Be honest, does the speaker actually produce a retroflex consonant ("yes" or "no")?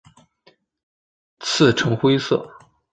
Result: yes